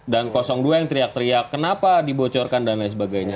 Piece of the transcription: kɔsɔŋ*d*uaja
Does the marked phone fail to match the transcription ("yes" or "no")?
no